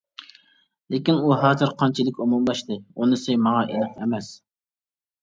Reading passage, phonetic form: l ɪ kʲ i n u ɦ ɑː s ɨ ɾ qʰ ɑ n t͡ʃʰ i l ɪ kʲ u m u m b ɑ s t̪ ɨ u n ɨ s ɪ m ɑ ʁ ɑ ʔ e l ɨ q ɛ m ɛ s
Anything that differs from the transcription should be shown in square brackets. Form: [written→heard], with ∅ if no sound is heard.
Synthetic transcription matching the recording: l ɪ kʲ i n u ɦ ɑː [s→z] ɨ ɾ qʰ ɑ n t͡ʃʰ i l ɪ kʲ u m u m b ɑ [s→ʃ] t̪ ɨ u n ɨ s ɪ m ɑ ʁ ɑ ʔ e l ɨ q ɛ m ɛ s